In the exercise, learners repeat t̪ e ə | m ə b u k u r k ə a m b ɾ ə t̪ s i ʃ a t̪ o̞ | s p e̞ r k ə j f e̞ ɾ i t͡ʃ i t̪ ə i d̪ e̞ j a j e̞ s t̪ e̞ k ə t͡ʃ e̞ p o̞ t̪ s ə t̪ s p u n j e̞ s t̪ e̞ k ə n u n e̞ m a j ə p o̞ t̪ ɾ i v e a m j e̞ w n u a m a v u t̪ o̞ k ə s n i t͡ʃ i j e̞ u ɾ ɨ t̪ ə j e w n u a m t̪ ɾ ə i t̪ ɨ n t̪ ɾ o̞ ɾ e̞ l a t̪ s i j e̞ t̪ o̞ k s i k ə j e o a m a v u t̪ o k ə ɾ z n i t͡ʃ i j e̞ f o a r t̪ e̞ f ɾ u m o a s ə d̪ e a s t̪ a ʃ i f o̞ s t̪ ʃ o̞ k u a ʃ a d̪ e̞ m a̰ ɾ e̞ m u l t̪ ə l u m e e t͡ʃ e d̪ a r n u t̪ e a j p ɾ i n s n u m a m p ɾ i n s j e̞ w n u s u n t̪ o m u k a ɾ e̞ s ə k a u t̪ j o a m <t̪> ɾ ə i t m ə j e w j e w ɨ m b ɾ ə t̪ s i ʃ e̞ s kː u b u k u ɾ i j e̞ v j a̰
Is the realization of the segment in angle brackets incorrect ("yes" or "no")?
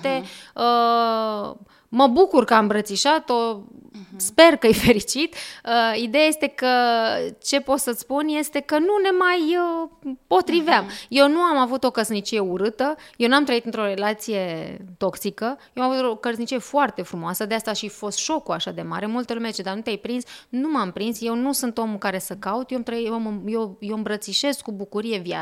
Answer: no